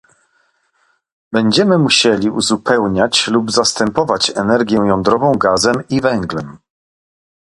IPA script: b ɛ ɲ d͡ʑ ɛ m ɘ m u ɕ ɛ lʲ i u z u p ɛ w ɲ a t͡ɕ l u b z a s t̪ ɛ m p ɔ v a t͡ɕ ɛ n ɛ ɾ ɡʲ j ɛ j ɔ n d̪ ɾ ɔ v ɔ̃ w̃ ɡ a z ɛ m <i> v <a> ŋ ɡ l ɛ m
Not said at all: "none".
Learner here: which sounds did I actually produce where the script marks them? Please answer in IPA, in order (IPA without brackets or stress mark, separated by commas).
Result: i, ɛ